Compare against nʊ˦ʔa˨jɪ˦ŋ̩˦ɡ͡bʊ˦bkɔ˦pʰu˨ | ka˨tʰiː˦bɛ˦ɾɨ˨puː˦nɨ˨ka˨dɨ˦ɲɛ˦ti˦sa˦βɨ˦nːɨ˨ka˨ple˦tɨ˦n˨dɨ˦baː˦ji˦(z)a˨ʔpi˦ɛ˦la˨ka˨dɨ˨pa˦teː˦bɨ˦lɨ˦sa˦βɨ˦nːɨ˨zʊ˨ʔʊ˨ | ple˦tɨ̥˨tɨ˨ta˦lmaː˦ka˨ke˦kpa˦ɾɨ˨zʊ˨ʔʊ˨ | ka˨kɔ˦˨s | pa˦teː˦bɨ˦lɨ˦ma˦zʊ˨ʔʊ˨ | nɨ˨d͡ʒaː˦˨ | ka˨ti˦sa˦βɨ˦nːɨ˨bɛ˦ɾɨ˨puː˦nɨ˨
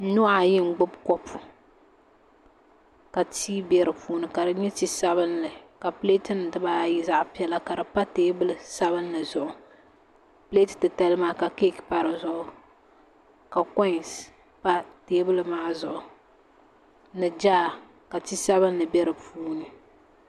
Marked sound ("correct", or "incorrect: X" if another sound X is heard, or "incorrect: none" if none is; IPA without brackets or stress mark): correct